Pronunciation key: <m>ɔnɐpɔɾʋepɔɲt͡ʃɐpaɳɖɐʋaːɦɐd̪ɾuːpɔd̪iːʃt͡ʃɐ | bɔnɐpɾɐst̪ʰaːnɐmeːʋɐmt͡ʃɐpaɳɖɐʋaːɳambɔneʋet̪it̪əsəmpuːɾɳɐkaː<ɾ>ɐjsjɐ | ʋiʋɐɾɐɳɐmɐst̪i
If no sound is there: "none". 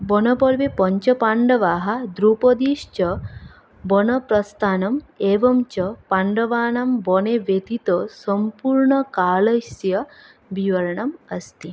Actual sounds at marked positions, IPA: b, l

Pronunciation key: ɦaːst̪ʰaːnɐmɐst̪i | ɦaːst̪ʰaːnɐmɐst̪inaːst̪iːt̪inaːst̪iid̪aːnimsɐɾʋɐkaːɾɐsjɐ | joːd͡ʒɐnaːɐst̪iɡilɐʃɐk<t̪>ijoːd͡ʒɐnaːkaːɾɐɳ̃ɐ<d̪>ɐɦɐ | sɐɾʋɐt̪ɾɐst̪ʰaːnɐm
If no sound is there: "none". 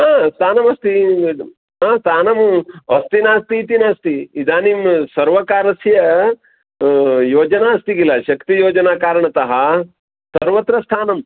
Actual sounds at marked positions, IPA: t̪, t̪

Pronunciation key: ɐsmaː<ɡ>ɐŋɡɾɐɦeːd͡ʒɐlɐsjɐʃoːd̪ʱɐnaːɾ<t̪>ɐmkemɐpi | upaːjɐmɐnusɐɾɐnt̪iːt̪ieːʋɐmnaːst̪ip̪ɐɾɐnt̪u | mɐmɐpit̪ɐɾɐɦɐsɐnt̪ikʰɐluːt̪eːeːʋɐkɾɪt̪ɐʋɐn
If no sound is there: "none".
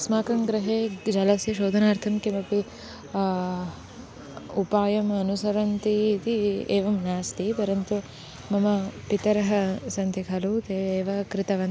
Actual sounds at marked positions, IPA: k, t̪ʰ

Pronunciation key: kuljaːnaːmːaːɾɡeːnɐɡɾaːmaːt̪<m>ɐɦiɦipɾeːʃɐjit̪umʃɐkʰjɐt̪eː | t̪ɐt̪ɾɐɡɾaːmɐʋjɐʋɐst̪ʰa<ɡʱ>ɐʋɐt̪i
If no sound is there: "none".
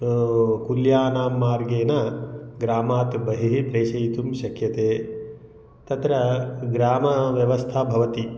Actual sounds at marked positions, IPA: b, bʱ

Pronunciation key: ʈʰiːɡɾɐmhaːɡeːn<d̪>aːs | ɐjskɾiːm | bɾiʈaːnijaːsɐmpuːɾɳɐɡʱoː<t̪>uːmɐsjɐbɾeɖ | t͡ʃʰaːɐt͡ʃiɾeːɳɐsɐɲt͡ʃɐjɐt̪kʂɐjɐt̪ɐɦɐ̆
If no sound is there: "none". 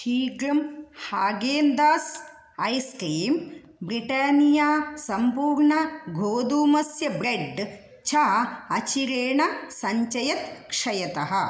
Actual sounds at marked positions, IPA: d̪, d̪

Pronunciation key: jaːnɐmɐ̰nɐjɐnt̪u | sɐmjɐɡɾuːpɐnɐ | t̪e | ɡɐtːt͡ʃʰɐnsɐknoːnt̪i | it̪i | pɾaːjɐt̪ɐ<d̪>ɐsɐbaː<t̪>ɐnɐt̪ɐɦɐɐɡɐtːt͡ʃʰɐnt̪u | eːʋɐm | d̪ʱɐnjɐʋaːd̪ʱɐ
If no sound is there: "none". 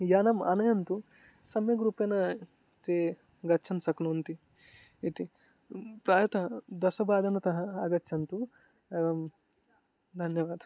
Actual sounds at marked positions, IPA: d̪, d̪

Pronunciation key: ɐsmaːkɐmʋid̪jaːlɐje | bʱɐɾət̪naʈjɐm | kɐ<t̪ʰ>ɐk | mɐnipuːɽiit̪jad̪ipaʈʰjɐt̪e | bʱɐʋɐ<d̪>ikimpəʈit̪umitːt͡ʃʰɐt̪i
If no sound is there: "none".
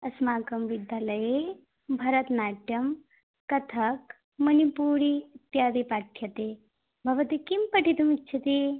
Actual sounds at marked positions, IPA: t̪ʰ, t̪

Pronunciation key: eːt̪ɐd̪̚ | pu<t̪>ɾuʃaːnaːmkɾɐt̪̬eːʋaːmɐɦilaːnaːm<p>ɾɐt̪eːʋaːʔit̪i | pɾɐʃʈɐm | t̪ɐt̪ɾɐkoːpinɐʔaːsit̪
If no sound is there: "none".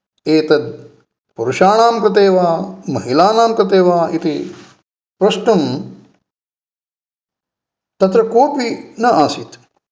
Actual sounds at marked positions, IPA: none, k

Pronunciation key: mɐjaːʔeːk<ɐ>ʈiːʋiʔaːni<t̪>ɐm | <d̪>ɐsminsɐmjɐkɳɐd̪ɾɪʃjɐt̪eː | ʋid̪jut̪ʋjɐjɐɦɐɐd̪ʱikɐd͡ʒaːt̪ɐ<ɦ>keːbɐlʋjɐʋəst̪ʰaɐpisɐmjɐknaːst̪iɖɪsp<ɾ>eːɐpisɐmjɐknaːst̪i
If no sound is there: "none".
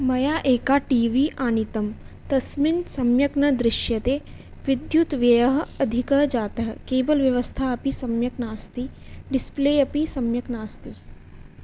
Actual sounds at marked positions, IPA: a, t̪, t̪, ɦ, l

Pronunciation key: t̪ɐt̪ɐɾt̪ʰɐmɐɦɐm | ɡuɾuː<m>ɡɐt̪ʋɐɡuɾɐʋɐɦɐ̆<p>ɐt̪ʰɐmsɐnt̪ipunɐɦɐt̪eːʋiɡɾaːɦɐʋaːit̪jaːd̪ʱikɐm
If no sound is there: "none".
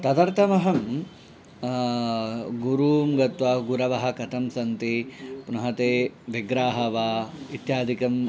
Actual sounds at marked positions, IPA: m, k

